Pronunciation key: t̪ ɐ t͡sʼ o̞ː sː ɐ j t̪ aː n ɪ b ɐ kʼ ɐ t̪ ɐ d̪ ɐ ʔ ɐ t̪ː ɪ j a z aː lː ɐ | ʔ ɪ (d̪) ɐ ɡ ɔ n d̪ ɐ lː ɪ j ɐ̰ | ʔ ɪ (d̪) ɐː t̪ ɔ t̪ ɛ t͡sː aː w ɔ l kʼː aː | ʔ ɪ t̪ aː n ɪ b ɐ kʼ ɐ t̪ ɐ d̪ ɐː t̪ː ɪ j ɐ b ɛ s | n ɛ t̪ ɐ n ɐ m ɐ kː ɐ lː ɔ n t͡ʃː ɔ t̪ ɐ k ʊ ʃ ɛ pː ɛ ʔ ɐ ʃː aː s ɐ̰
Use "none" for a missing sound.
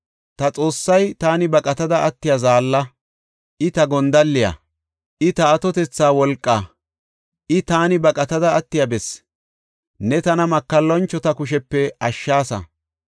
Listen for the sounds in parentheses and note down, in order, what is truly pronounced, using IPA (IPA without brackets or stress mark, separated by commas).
t̪, t̪